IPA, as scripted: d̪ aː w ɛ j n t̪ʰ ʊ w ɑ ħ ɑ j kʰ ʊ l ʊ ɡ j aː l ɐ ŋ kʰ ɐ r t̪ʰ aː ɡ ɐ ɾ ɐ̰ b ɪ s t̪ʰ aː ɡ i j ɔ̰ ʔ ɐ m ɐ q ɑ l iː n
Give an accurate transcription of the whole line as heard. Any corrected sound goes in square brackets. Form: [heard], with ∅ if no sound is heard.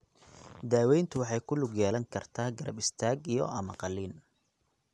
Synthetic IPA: d̪ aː w ɛ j n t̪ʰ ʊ w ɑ ħ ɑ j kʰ ʊ l ʊ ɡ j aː l ɐ ŋ kʰ ɐ r t̪ʰ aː ɡ ɐ ɾ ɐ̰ b ɪ s t̪ʰ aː ɡ i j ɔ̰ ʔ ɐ m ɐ q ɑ l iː n